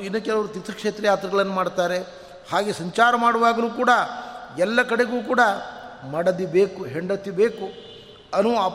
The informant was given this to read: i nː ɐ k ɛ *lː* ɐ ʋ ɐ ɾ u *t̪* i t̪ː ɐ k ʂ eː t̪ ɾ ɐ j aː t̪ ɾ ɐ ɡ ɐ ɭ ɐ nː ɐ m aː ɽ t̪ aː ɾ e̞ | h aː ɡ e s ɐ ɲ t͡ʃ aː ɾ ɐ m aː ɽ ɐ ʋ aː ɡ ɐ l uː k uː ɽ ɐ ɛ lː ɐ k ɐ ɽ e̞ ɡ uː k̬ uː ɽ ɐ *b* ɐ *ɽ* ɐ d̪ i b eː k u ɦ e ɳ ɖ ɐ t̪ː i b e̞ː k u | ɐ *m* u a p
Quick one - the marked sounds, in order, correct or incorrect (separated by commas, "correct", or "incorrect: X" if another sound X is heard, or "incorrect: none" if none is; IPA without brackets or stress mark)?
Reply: incorrect: l, correct, incorrect: m, correct, incorrect: n